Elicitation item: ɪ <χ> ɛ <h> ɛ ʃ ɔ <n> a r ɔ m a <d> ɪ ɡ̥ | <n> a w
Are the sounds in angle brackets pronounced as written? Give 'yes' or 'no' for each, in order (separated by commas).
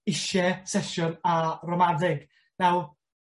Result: no, no, yes, yes, yes